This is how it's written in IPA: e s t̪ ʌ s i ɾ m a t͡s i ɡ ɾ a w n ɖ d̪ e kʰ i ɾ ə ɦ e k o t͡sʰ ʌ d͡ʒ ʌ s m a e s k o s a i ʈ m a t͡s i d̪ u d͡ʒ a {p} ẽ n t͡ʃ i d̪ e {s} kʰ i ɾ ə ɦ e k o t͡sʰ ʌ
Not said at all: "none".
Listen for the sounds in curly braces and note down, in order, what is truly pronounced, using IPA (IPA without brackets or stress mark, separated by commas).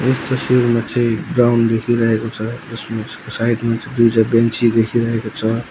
b, none